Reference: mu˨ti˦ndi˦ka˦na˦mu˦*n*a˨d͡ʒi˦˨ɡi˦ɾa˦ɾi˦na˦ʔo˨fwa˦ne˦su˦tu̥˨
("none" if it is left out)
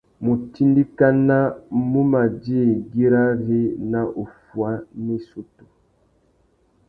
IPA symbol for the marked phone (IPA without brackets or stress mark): m